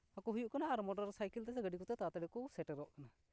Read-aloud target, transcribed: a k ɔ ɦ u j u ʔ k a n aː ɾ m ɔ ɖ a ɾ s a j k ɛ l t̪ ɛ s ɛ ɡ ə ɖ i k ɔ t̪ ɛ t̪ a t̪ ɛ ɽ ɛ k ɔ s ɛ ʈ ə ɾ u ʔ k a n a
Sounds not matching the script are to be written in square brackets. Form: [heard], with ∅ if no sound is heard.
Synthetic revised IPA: a k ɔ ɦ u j u ʔ k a n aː ɾ m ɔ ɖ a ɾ s a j k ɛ l t̪ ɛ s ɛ ɡ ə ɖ i k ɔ t̪ ɛ t̪ a t̪ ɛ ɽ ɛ k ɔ s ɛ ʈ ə ɾ [ɔ] ʔ k a n a